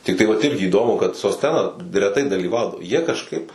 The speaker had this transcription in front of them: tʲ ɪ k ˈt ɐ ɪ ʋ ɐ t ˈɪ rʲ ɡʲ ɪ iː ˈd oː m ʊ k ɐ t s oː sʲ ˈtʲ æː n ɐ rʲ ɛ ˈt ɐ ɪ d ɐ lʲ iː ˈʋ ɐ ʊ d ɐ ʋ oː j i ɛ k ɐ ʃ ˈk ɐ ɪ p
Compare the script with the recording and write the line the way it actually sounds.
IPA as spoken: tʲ ɪ k ˈt ɐ ɪ ʋ ɐ t ˈɪ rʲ ɡʲ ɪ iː ˈd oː m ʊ k ɐ t s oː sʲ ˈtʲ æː n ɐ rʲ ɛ ˈt ɐ ɪ d ɐ lʲ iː ˈʋ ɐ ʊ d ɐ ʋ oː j i ɛ k ɐ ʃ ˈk ɐ ɪ p